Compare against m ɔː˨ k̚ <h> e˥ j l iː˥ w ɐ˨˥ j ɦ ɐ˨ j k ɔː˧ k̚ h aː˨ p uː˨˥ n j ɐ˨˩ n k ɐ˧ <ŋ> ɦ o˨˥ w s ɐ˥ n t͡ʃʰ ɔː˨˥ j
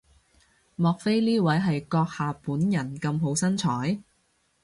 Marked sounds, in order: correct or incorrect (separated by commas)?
incorrect, incorrect